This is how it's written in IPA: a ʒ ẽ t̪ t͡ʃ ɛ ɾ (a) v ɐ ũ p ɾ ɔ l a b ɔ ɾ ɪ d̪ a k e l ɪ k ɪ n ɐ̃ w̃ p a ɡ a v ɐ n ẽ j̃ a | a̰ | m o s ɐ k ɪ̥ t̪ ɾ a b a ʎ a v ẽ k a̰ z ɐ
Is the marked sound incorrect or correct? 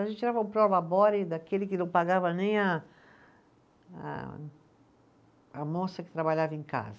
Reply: correct